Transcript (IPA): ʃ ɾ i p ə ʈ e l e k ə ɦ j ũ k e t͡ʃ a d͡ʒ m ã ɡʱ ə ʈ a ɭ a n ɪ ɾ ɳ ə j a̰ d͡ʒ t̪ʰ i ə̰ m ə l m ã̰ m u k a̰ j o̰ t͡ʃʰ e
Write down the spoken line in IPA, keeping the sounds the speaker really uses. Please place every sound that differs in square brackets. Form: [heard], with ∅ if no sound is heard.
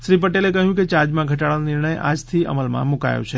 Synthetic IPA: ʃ ɾ i p ə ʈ e l e k ə ɦ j ũ k e t͡ʃ a d͡ʒ m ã ɡʱ ə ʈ a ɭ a n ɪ ɾ ɳ ə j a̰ d͡ʒ t̪ʰ i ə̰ m ə l m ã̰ m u k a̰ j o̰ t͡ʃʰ e